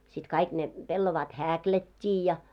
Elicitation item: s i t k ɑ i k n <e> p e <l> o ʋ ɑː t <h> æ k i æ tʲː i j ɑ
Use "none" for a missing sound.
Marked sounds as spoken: e, lː, h

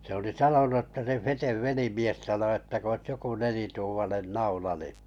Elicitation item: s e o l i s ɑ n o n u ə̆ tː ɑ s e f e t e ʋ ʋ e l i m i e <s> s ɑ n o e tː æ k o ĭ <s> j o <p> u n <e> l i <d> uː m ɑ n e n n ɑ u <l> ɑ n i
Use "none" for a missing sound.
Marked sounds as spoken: s, s, k, e, t, l

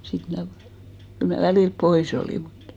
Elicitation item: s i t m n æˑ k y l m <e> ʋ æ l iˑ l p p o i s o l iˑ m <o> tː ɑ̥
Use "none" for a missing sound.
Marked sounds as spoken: æ, u

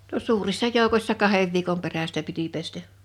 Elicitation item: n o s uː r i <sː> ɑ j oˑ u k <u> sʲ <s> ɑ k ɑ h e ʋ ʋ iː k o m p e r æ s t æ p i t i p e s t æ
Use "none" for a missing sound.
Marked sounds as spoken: sː, o, s

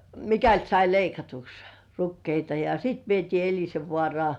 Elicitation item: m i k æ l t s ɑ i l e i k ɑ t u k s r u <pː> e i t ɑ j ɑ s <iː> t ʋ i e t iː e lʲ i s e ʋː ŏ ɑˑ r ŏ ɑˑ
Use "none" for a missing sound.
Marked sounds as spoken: kː, i

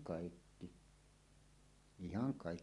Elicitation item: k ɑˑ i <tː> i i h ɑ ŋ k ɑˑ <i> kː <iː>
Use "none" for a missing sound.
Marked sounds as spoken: kː, i, i

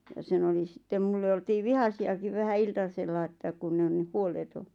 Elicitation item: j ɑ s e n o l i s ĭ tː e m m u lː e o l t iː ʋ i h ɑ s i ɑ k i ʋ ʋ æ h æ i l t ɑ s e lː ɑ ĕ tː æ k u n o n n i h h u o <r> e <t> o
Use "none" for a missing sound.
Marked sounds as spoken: l, t

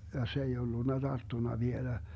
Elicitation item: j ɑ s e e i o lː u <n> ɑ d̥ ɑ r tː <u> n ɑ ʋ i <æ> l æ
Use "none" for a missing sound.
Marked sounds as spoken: nː, u, e

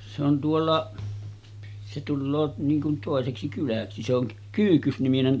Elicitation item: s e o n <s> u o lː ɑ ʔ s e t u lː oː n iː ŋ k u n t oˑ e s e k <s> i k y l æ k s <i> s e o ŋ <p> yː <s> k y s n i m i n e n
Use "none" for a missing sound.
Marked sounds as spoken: t, s, i, k, h

